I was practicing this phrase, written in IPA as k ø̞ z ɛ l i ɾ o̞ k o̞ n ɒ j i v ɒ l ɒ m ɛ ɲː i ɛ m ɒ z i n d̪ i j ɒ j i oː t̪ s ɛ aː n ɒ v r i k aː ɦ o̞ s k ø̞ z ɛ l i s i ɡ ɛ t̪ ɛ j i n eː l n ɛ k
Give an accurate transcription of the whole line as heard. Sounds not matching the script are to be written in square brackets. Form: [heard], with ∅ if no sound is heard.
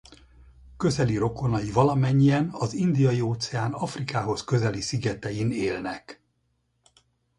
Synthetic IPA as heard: k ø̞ z ɛ l i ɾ o̞ k o̞ n ɒ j i v ɒ l ɒ m ɛ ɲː i ɛ [n] ɒ z i n d̪ i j ɒ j i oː t̪ s ɛ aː n ɒ [f] r i k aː ɦ o̞ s k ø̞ z ɛ l i s i ɡ ɛ t̪ ɛ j i n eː l n ɛ k